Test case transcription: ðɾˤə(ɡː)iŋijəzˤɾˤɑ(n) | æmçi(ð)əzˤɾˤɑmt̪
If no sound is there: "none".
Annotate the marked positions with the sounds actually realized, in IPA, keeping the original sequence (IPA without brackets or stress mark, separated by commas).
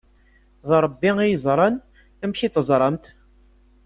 bː, n, θ